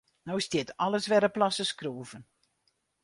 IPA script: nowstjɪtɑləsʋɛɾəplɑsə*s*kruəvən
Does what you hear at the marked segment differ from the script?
no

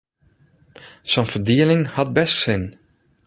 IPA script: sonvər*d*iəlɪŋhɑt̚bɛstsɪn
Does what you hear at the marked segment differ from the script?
no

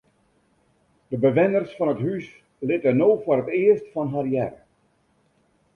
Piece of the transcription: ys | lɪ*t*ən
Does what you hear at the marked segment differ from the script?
no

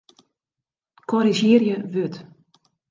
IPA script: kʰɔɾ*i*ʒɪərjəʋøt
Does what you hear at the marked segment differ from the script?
no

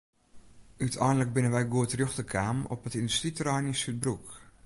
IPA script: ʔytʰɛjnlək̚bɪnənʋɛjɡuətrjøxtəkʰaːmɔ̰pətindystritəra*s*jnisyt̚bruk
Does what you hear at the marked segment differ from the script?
yes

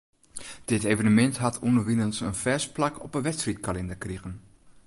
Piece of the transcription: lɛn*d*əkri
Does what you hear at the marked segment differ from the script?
no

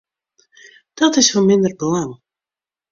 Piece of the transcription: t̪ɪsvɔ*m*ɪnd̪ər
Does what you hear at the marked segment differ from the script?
no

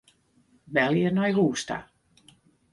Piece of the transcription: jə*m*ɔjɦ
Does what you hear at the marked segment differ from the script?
yes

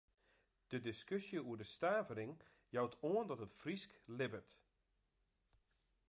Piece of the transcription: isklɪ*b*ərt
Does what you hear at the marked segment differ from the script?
no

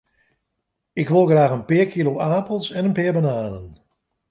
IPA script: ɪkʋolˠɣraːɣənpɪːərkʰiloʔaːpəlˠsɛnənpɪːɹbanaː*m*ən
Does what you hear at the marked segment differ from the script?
yes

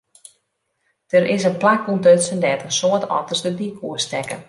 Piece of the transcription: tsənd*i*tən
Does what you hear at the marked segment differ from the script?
yes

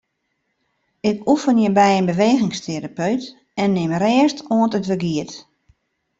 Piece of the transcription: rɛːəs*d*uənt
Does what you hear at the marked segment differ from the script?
yes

